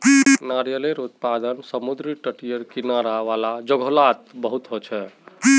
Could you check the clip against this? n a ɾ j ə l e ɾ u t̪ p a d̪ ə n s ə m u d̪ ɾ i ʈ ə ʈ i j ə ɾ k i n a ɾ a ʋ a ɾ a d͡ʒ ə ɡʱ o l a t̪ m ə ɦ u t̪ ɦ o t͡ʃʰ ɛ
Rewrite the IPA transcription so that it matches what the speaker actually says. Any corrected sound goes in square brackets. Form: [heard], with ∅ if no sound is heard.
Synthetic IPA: n a ɾ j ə l e ɾ u t̪ p a d̪ ə n s ə m u d̪ ɾ i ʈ ə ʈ i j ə ɾ k i n a ɾ a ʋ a [l] a d͡ʒ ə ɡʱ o l a t̪ [b] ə ɦ u t̪ ɦ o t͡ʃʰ ɛ